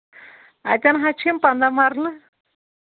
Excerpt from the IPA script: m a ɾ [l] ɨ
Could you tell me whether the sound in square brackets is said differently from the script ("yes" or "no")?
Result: no